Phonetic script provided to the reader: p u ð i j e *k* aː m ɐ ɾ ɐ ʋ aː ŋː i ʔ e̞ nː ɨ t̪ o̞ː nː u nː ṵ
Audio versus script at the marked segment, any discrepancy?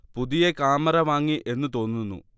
no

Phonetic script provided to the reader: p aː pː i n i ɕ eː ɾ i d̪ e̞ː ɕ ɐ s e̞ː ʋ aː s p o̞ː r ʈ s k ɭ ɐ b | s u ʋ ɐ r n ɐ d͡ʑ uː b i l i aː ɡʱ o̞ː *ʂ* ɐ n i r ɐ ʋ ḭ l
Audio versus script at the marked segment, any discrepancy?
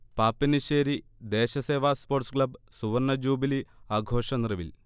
no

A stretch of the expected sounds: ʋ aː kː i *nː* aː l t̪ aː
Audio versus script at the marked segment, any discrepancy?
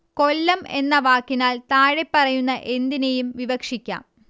yes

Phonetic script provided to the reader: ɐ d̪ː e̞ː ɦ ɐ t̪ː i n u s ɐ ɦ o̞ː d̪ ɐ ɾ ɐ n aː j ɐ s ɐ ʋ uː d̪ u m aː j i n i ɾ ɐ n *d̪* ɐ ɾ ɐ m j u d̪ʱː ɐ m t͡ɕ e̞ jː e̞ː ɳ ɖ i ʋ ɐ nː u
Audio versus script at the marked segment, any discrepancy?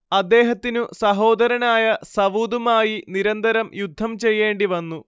no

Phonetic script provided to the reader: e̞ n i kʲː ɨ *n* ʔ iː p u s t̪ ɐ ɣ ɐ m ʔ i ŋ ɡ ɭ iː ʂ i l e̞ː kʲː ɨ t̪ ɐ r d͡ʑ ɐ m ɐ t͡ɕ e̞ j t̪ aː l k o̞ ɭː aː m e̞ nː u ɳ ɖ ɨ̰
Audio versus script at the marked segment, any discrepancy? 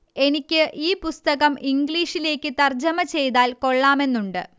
yes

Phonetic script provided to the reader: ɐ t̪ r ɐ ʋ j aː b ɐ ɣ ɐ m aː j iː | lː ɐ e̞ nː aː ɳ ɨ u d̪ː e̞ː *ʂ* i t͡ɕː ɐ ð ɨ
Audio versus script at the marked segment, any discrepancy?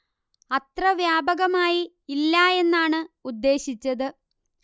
yes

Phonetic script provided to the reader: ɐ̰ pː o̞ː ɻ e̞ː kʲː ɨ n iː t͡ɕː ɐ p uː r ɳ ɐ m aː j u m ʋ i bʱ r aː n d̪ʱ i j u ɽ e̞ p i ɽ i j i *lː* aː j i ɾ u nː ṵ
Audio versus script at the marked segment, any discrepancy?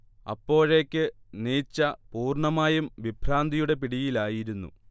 yes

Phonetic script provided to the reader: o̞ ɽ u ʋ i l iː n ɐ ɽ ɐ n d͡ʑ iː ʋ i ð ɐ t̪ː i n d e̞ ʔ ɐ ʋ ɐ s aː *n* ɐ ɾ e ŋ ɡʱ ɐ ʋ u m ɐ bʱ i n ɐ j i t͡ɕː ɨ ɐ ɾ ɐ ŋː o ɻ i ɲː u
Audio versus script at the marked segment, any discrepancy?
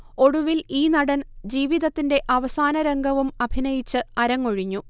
no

